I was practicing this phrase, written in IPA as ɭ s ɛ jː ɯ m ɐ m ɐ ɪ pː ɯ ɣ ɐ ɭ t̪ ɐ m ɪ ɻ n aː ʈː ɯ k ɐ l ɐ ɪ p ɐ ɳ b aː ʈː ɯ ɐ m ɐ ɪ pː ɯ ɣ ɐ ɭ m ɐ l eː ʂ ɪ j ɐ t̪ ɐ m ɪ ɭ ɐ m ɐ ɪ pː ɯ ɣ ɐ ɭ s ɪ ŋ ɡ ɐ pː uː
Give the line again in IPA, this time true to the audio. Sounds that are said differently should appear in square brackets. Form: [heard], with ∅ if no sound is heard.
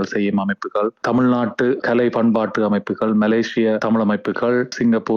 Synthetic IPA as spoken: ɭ s ɛ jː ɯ m ɐ m ɐ ɪ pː ɯ ɣ ɐ ɭ t̪ ɐ m ɪ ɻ n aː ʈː ɯ k ɐ l ɐ ɪ p ɐ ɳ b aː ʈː ɯ ɐ m ɐ ɪ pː ɯ ɣ ɐ ɭ m ɐ l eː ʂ ɪ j ɐ t̪ ɐ m ɪ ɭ ɐ m ɐ ɪ pː ɯ ɣ ɐ ɭ s ɪ ŋ ɡ ɐ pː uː